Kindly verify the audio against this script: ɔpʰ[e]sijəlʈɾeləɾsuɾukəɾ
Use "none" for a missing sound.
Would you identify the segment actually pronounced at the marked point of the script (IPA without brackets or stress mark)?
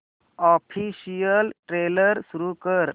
i